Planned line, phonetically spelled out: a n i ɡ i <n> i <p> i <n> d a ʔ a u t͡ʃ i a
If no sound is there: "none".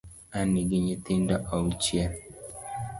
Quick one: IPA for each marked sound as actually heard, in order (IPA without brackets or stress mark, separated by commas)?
ɲ, t, n